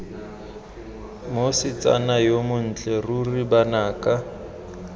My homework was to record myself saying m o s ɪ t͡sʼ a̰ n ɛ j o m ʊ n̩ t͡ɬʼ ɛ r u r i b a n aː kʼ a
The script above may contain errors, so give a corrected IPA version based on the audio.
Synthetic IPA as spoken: m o s ɪ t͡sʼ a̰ n a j o m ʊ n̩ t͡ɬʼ ɛ r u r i b a n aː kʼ a